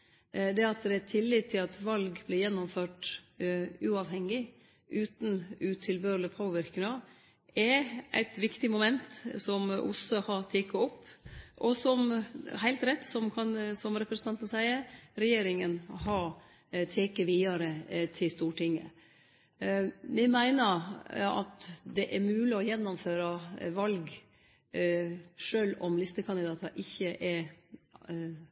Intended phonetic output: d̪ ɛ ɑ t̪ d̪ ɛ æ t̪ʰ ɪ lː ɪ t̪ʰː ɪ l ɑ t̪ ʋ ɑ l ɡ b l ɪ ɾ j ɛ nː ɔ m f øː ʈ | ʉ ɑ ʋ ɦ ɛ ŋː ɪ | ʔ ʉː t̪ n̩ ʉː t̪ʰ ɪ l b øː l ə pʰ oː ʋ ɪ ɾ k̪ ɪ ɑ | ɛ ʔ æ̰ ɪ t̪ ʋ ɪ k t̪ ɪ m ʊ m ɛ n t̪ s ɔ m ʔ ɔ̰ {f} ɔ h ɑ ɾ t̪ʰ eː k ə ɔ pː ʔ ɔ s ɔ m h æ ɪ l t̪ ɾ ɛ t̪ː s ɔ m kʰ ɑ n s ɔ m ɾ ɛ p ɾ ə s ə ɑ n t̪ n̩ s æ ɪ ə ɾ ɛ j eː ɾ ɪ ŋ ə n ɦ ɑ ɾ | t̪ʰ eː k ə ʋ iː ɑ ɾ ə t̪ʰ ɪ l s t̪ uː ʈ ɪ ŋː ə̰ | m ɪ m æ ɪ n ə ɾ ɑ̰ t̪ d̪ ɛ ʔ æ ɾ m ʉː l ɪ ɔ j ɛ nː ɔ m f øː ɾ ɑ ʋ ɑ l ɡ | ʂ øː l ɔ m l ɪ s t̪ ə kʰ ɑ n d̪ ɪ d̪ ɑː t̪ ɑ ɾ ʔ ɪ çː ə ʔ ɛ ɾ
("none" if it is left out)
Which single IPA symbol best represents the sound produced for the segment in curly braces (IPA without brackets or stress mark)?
s